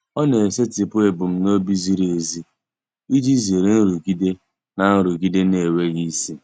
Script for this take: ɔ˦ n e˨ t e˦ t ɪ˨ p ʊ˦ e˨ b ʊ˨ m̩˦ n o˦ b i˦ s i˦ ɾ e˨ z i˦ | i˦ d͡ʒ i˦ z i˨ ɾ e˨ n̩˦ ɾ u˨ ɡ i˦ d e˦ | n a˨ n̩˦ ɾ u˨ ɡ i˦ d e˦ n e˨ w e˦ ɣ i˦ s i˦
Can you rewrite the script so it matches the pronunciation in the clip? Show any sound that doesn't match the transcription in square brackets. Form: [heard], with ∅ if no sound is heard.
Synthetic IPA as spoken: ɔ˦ n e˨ [s] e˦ t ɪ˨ p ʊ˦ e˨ b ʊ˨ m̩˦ n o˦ b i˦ [z] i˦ ɾ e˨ z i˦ | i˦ d͡ʒ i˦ z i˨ ɾ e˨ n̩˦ ɾ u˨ ɡ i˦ d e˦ | n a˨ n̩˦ ɾ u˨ ɡ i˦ d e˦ n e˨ w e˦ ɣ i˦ s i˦